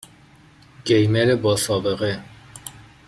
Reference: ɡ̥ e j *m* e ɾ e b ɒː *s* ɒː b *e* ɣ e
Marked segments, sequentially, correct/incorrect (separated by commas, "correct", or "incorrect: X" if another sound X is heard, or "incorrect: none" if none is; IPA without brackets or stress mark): correct, correct, correct